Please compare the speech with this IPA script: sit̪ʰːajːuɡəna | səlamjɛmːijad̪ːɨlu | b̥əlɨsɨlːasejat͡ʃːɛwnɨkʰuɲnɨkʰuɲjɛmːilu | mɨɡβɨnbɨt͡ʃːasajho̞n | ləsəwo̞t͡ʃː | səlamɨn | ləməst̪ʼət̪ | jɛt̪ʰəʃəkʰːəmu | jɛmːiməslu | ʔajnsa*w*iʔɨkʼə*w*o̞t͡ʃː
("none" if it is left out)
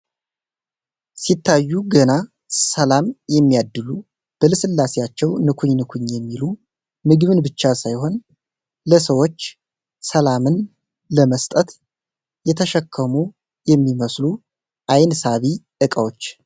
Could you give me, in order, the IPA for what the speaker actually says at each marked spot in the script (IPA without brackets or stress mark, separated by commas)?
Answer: β, w